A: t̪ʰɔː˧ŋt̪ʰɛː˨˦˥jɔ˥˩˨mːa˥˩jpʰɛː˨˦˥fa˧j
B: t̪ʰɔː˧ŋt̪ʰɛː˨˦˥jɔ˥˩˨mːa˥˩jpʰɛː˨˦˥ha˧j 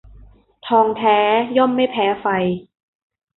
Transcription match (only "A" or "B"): A